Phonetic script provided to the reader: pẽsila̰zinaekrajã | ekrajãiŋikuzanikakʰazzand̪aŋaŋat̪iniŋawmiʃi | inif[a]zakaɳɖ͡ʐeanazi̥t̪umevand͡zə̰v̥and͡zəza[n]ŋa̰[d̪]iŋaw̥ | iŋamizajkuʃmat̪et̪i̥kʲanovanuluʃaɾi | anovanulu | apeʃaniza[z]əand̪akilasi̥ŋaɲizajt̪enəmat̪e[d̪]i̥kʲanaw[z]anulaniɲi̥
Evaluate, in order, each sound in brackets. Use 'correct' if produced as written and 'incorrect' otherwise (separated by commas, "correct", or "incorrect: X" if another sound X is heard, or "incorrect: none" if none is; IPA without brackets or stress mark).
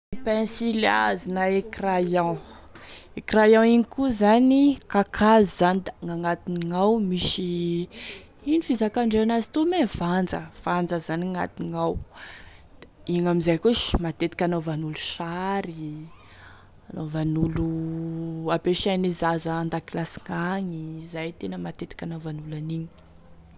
incorrect: i, correct, incorrect: t̪, correct, incorrect: t̪, incorrect: v